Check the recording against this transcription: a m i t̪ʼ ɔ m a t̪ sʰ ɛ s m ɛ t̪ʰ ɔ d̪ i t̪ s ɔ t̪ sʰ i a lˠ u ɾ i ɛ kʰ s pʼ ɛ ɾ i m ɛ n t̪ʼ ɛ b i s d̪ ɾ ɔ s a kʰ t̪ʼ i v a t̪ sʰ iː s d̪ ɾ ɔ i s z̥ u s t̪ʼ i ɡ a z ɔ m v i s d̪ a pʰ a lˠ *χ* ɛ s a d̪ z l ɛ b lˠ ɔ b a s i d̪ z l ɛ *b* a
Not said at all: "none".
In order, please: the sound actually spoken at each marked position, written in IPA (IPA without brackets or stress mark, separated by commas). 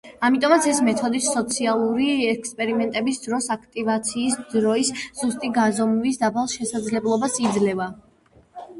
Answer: ʃ, v